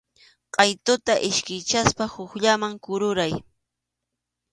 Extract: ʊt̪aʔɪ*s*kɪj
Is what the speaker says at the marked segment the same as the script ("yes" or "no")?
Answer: no